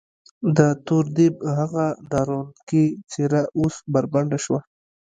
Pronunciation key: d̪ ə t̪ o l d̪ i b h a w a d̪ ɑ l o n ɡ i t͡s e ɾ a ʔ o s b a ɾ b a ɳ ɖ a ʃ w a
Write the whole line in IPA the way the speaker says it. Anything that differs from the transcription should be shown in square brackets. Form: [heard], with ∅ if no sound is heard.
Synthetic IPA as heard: d̪ ə t̪ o [ɾ] d̪ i b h a [ɣ] a d̪ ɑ [ɾ] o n [k] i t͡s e ɾ a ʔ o s b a ɾ b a ɳ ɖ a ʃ w a